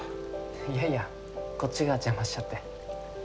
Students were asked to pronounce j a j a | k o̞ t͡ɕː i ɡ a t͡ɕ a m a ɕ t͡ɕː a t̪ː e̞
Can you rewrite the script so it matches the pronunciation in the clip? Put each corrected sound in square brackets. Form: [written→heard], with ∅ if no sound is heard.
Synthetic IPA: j a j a | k o̞ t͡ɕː i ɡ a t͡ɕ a m a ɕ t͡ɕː a t̪ː e̞